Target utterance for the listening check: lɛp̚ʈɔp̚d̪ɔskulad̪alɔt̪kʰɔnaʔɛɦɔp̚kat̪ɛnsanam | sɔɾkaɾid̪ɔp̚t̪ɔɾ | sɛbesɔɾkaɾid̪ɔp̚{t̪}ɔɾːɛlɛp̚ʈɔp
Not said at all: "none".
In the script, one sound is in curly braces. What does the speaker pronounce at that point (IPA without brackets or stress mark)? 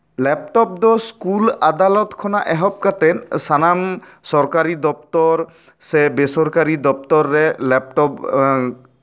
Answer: t̪